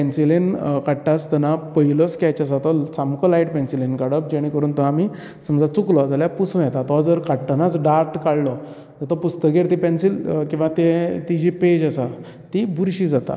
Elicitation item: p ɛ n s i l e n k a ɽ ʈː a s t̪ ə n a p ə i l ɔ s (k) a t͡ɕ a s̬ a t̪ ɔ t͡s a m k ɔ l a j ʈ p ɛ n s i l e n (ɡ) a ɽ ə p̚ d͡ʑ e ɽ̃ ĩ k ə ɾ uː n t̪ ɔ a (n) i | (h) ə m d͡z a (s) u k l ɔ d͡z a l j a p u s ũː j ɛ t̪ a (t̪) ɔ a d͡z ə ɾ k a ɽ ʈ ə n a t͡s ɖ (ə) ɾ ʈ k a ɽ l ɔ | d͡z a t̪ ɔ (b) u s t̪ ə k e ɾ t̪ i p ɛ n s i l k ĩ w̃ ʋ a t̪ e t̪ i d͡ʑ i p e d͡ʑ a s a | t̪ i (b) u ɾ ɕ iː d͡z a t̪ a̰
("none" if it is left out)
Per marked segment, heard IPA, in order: k, k, m, s, t͡s, t̪, a, p, b

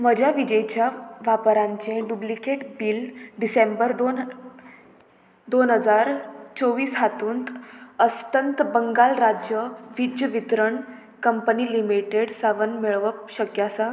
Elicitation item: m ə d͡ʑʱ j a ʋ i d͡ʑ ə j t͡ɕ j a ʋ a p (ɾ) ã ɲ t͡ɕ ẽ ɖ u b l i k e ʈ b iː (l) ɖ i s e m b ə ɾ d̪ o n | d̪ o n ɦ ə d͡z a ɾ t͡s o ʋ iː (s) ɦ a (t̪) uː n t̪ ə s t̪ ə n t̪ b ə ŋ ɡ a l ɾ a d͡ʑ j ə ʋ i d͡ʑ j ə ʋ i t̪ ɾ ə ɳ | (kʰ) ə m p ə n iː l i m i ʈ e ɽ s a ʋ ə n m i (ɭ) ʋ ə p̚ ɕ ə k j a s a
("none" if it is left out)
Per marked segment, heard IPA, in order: ɾ, l, s, t̪, k, ɭ

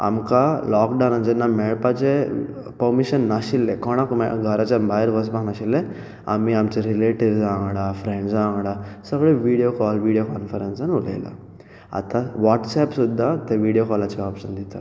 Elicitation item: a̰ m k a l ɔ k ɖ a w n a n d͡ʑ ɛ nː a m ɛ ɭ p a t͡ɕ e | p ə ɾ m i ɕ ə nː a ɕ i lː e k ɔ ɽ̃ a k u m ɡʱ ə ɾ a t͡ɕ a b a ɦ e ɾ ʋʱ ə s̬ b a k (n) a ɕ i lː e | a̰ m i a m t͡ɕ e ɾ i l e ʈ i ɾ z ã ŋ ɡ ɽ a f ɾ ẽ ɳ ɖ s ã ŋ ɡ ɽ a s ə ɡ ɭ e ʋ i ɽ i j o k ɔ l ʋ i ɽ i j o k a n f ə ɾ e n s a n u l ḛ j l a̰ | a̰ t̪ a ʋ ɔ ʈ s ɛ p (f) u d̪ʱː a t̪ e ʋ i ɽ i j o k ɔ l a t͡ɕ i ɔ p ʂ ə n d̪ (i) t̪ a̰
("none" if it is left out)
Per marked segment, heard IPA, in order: n, s, i

